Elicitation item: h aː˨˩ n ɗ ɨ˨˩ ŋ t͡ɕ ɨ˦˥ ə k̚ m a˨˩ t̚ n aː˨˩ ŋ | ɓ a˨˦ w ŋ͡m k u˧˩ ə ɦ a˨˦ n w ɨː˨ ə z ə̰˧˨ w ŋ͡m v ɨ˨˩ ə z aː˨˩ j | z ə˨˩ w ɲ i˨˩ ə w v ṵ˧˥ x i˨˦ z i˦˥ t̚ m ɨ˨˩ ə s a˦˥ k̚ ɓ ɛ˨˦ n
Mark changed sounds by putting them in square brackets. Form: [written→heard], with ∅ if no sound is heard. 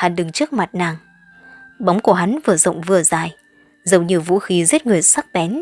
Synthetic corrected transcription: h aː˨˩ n ɗ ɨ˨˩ ŋ t͡ɕ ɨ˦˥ ə k̚ m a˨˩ t̚ n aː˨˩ ŋ | ɓ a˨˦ w ŋ͡m k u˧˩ ə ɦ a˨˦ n [w→v] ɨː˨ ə z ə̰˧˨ w ŋ͡m v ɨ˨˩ ə z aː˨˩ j | z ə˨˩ w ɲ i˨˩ ə w v ṵ˧˥ x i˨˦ z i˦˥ t̚ [m→ŋ] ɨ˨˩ ə s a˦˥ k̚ ɓ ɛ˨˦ n